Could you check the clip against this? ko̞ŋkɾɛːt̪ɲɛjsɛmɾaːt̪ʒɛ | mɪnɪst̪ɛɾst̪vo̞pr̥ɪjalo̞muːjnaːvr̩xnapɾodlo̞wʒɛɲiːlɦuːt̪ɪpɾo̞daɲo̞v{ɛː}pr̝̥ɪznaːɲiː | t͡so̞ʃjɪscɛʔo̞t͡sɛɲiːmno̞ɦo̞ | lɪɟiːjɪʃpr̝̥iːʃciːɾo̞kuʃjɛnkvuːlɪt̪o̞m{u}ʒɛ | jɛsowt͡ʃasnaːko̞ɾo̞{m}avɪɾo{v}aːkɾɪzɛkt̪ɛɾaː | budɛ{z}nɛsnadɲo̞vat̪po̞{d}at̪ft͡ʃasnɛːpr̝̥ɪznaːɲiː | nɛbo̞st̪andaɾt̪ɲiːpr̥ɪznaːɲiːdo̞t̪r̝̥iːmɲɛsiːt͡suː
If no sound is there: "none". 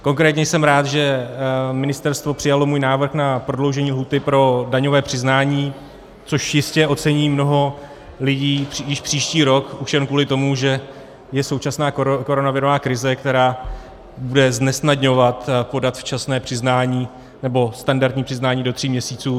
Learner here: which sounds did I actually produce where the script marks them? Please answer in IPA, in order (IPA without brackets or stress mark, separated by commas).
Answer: ɛː, u, n, v, z, d